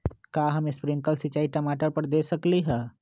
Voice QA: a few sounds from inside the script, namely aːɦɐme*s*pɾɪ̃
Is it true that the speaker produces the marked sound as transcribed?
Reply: yes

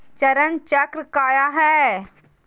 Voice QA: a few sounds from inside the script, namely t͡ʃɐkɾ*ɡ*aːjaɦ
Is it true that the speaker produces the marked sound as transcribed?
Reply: no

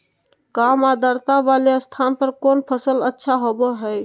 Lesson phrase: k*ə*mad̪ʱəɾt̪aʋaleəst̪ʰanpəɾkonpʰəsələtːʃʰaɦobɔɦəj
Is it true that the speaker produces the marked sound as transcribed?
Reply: no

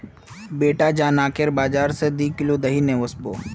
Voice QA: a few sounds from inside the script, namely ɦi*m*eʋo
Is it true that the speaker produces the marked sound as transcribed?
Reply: no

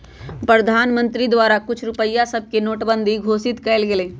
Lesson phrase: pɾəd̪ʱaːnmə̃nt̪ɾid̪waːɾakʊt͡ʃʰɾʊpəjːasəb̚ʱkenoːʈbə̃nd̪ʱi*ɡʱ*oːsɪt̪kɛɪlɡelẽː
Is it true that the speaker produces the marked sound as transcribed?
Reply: yes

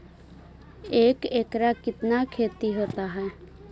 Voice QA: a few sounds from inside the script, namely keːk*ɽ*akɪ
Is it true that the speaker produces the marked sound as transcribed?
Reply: no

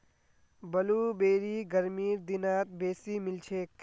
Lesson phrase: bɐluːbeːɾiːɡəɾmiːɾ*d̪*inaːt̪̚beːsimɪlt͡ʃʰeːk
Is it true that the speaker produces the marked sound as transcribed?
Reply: yes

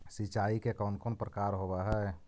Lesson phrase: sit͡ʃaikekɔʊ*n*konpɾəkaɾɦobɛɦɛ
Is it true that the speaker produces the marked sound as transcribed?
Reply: yes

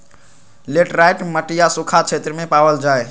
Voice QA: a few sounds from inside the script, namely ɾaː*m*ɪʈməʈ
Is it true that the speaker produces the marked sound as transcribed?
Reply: no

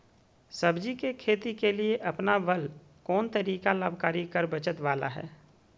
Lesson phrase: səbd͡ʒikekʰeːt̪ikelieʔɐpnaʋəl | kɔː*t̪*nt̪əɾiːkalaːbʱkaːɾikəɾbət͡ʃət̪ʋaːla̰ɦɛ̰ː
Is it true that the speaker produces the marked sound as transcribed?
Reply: no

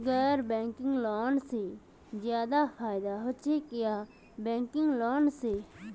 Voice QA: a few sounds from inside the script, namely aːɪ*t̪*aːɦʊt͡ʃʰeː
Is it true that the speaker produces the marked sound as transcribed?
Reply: no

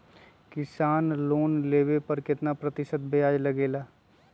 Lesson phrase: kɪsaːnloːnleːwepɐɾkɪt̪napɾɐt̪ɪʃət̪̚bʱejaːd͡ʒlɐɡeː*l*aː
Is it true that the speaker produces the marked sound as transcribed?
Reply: yes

